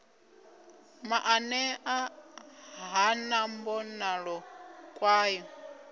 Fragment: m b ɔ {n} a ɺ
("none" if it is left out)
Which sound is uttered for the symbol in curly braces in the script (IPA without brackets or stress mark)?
n